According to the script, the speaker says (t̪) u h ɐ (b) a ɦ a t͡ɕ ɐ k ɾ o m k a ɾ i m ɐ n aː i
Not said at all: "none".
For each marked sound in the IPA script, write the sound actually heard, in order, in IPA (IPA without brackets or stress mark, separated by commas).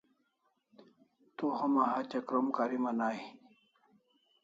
t̪, m